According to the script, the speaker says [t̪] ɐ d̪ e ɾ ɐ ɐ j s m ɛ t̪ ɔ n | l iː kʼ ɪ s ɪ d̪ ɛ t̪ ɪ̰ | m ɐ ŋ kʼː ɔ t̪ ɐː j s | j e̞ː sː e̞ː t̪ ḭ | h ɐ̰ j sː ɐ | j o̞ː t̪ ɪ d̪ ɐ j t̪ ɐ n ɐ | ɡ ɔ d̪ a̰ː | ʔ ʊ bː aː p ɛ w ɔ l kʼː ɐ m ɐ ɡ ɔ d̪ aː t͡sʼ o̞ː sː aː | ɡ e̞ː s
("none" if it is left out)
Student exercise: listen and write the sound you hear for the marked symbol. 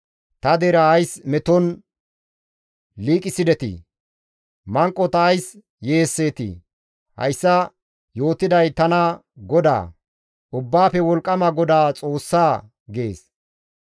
t̪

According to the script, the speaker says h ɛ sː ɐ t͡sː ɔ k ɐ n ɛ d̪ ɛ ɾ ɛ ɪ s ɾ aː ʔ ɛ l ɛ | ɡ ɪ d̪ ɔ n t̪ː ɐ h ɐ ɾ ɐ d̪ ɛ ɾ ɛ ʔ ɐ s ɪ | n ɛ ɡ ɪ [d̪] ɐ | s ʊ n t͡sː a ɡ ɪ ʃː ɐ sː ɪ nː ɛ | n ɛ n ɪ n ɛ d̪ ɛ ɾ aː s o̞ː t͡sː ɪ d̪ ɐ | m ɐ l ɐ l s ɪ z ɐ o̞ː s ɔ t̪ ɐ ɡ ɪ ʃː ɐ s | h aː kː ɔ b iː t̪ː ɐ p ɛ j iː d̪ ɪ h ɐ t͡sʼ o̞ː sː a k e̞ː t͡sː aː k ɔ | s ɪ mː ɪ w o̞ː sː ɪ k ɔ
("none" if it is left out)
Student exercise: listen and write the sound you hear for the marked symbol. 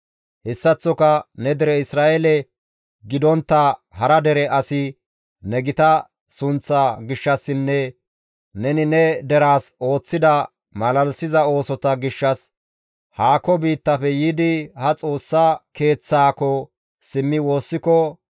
t̪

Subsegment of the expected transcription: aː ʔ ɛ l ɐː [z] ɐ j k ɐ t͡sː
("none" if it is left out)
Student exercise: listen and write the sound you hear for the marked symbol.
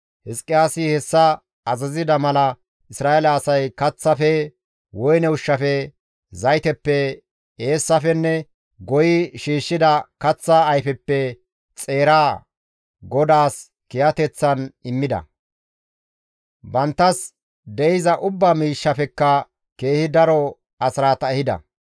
s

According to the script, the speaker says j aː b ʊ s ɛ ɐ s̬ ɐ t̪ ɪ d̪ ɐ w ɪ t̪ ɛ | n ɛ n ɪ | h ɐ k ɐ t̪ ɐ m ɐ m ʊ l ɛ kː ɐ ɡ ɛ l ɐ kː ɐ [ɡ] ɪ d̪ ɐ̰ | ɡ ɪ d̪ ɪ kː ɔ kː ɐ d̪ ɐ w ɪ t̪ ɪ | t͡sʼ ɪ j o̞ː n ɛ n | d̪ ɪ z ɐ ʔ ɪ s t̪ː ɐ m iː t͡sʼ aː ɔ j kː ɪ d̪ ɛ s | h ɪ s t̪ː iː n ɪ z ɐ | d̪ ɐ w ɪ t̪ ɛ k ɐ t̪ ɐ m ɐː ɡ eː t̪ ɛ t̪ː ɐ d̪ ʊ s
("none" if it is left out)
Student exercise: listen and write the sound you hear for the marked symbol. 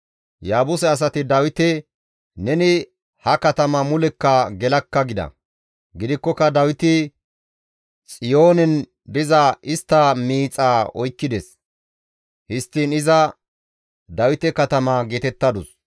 ɡ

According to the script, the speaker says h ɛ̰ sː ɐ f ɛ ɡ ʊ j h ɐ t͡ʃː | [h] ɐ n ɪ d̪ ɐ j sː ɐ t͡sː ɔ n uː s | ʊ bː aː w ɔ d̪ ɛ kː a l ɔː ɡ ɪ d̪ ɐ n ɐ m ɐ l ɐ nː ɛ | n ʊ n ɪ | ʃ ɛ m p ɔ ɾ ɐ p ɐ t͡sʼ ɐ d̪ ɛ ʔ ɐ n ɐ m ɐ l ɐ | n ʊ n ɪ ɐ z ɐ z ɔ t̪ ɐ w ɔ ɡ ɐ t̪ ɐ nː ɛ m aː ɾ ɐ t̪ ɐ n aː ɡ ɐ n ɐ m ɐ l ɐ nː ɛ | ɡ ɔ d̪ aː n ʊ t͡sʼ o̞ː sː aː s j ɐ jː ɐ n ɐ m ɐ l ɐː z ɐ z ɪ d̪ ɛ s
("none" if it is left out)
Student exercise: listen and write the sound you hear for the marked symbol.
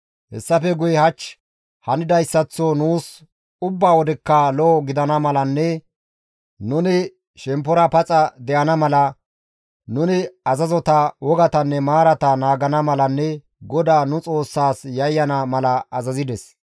h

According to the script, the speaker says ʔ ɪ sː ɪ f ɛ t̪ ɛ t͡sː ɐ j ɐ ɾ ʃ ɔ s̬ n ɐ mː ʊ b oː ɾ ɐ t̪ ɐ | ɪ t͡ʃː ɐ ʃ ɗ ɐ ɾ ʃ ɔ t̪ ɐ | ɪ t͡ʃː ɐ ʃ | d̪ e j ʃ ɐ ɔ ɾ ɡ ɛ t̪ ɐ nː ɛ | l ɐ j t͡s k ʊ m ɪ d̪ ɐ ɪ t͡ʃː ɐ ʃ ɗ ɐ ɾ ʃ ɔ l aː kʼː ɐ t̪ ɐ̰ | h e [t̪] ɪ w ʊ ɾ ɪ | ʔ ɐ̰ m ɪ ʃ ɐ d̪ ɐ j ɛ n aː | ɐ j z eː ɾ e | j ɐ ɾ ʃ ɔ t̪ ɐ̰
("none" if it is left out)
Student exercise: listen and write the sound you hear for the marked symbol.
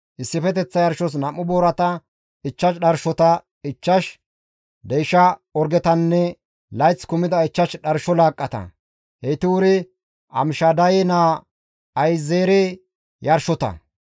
t̪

